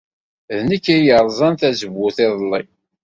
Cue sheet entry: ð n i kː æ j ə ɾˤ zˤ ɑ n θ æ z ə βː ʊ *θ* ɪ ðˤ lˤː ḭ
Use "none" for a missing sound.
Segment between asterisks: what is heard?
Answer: θ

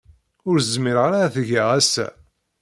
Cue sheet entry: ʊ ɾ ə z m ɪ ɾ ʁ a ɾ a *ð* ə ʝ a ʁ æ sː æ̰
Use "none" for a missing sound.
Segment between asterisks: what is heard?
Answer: θ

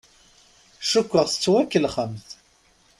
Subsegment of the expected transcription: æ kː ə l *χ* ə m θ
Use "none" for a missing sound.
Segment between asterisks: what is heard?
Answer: χ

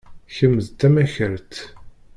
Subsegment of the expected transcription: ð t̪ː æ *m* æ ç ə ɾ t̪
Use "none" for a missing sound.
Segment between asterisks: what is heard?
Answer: m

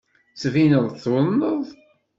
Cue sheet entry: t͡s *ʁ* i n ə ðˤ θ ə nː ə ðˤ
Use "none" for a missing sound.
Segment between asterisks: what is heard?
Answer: v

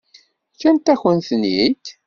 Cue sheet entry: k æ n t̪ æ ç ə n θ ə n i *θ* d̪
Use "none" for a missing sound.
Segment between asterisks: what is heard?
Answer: none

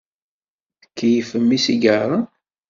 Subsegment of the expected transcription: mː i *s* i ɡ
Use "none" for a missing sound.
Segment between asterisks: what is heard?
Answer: s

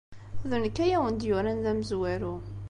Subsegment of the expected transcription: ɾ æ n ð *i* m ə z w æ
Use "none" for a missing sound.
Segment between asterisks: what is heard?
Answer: æ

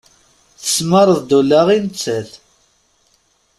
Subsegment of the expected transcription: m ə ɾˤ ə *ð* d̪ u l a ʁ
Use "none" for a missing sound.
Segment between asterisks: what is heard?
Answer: ð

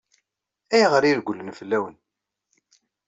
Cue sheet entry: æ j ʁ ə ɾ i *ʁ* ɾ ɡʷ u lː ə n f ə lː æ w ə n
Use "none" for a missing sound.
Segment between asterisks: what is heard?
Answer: none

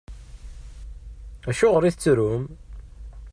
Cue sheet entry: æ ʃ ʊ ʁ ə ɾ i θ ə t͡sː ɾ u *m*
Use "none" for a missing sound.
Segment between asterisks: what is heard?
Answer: m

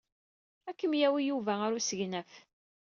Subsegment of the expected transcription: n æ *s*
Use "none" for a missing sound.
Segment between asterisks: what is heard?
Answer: f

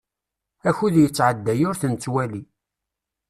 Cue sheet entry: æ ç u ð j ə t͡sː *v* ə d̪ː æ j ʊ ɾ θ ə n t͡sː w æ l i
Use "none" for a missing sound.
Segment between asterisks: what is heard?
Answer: ʕ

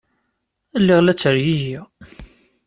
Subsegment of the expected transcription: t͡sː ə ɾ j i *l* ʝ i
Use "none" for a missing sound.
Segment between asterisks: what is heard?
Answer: none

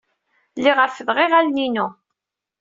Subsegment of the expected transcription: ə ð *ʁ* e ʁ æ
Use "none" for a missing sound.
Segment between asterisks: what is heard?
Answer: ʁ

